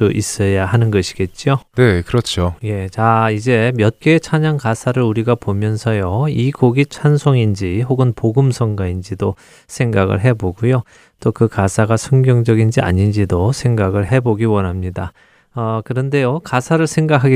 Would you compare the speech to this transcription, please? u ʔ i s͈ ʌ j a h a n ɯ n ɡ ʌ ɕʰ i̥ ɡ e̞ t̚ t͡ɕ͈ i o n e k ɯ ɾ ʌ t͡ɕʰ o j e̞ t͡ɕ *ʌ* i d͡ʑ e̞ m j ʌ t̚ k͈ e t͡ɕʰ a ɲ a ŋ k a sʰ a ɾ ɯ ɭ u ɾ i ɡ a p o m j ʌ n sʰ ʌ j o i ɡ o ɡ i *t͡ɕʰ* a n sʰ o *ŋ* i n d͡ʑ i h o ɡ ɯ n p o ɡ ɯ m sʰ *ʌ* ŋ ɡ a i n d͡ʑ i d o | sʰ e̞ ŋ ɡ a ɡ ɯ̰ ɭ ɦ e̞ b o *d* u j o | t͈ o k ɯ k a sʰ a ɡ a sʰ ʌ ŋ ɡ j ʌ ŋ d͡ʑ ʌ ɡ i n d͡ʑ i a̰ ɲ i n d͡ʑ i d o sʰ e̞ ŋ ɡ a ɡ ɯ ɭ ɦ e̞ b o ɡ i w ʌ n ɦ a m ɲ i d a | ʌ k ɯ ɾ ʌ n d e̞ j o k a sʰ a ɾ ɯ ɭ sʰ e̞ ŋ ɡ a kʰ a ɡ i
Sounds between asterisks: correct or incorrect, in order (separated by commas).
incorrect, correct, correct, correct, incorrect